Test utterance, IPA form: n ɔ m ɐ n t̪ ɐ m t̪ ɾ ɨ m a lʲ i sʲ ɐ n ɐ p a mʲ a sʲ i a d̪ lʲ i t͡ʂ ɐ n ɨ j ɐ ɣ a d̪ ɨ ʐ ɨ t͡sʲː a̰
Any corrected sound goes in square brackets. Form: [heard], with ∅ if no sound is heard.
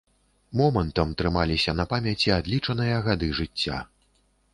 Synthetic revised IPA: [m] ɔ m ɐ n t̪ ɐ m t̪ ɾ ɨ m a lʲ i sʲ ɐ n ɐ p a mʲ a [t͡sʲ] i a d̪ lʲ i t͡ʂ ɐ n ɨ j ɐ ɣ a d̪ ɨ ʐ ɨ t͡sʲː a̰